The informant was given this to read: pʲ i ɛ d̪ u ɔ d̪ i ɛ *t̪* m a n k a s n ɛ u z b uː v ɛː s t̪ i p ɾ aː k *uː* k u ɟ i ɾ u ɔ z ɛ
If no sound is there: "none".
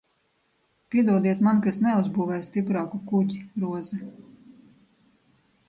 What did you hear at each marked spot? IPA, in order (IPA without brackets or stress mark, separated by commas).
t̪, u